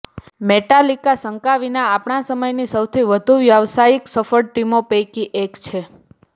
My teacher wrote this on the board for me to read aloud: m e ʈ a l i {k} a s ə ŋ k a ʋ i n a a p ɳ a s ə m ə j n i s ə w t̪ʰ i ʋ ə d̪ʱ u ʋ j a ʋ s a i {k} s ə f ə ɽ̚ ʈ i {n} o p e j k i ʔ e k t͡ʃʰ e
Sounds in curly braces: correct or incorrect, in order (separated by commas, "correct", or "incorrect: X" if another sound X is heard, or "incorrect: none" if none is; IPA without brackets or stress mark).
correct, correct, incorrect: m